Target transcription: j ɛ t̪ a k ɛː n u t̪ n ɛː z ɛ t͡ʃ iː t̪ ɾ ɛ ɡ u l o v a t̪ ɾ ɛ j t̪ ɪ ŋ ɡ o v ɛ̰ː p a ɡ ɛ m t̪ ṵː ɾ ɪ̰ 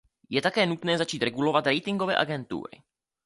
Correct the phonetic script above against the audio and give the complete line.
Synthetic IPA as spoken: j ɛ t̪ a k ɛː n u t̪ n ɛː z a t͡ʃ iː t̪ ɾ ɛ ɡ u l o v a t̪ ɾ ɛ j t̪ ɪ ŋ ɡ o v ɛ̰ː ʔ a ɡ ɛ n t̪ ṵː ɾ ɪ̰